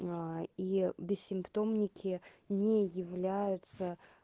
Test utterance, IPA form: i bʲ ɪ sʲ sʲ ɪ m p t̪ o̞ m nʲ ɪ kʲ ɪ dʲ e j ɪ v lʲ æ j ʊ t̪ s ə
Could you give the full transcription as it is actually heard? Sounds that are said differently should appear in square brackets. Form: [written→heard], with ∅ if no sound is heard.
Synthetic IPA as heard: i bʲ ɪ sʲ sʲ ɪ m p t̪ o̞ m nʲ ɪ kʲ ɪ [dʲ→nʲ] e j ɪ v lʲ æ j ʊ t̪ s ə